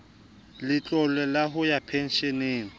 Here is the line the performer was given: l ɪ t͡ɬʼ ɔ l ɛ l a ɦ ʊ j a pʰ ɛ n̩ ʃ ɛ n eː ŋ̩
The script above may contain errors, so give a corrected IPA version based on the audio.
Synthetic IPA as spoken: l ɪ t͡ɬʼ ɔ l ɛ l a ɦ ʊ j a pʰ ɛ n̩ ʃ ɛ n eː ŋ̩